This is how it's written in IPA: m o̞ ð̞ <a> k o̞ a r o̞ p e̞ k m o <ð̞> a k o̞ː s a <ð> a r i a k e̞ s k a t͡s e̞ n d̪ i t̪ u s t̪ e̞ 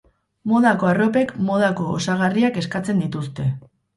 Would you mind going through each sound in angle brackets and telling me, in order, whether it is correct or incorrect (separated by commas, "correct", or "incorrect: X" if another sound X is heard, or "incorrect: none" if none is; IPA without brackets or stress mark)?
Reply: correct, correct, incorrect: ɣ